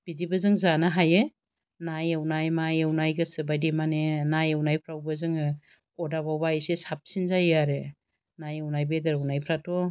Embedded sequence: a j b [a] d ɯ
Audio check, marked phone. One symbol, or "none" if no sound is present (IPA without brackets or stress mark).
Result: e